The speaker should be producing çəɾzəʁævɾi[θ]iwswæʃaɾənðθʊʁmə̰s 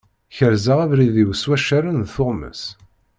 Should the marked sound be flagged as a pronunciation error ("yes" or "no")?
yes